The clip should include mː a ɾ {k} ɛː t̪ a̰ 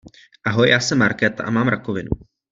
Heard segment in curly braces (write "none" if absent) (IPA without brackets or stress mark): k